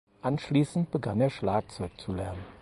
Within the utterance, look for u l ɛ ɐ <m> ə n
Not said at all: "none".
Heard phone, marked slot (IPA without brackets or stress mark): n